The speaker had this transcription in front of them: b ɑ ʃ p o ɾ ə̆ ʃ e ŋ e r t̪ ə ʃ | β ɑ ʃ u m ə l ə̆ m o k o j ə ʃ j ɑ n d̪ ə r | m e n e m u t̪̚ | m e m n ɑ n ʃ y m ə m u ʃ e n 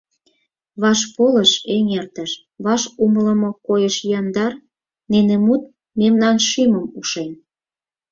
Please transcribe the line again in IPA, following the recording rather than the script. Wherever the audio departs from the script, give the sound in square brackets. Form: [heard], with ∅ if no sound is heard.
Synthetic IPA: [β] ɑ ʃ p o [l] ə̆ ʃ e ŋ e r t̪ ə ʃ | β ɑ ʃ u m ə l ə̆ m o k o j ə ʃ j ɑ n d̪ [ɑ] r | [n] e n e m u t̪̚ | m e m n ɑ n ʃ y m ə m u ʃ e n